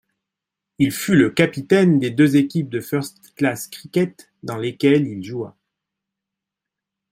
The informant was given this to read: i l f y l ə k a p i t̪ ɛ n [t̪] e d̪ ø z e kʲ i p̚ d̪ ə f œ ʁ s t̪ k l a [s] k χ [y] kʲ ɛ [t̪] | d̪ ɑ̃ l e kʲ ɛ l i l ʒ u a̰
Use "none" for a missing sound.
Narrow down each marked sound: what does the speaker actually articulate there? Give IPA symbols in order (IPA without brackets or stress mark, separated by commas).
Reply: d̪, s, i, t̪